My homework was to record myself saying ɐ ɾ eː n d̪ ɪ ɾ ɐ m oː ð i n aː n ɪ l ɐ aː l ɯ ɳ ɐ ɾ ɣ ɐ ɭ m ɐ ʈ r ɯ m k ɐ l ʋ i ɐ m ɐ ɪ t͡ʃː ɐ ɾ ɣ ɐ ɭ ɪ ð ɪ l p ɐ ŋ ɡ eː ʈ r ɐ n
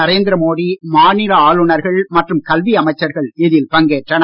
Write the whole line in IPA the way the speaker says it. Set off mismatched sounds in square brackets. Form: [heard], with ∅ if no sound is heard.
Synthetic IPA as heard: ɐ ɾ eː n d̪ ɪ ɾ ɐ m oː ð i [m] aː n ɪ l ɐ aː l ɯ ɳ ɐ ɾ ɣ ɐ ɭ m ɐ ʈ r ɯ m k ɐ l ʋ i ɐ m ɐ ɪ t͡ʃː ɐ ɾ ɣ ɐ ɭ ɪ ð ɪ l p ɐ ŋ ɡ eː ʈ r ɐ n